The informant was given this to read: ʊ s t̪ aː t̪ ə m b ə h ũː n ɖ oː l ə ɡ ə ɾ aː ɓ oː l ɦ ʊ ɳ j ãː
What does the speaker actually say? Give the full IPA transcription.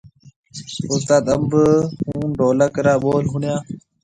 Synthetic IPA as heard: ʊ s t̪ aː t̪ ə m b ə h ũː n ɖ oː l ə k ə ɾ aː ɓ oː l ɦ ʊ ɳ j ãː